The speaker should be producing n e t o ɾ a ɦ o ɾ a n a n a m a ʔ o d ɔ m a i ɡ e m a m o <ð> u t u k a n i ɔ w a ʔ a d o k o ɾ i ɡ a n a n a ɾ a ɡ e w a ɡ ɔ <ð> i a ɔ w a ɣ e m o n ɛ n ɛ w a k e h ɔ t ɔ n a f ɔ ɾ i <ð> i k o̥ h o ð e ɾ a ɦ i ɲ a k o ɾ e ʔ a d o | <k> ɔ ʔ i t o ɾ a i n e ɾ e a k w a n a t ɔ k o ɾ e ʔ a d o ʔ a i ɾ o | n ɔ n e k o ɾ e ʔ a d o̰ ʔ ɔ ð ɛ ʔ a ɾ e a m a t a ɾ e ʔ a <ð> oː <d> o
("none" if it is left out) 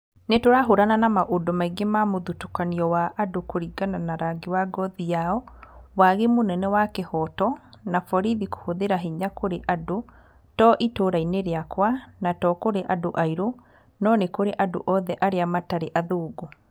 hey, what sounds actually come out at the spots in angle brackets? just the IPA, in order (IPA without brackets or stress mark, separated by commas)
ð, ð, ð, t, ð, ɡ